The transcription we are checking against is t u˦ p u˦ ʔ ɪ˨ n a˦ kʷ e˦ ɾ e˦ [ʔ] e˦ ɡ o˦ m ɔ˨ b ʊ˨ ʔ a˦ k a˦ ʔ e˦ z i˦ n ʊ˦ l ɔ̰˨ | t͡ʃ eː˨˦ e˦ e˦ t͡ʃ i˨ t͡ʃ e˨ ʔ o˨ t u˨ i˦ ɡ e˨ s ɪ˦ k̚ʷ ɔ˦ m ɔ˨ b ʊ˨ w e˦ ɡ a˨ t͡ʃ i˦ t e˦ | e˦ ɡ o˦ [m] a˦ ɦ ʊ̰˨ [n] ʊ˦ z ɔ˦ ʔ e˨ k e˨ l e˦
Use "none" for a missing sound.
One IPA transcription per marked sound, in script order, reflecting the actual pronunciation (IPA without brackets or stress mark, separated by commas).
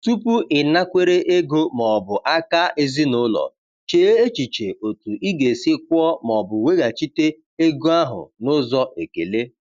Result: ʔ, none, n